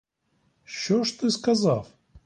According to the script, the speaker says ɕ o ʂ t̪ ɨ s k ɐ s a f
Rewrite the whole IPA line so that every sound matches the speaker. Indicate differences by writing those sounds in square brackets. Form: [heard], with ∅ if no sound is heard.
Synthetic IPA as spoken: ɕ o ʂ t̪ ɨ s k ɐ [z] a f